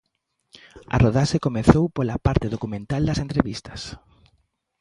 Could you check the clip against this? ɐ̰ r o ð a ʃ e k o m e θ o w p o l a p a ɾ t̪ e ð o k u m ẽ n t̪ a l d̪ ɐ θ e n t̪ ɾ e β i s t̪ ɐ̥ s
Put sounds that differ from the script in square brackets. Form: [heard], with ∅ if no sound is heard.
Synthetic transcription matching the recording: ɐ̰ r o ð a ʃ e k o m e θ o w p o l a p a ɾ t̪ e ð o k u m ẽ n t̪ a l d̪ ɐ [s] e n t̪ ɾ e β i s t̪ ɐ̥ s